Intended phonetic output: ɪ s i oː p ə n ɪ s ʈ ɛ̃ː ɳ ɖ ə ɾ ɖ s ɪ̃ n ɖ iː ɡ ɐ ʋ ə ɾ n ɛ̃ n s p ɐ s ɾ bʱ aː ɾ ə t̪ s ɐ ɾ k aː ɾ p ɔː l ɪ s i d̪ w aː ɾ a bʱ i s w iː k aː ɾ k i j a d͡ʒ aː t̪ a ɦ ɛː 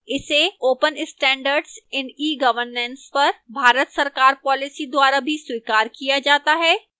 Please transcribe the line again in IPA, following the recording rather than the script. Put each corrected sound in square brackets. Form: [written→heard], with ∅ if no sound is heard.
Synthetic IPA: ɪ s [i→e] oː p ə n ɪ s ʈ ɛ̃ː ɳ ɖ ə ɾ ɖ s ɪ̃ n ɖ iː ɡ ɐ ʋ ə ɾ n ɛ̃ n s p ɐ [s→∅] ɾ bʱ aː ɾ ə t̪ s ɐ ɾ k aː ɾ p ɔː l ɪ s i d̪ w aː ɾ a bʱ i s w iː k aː ɾ k i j a d͡ʒ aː t̪ a ɦ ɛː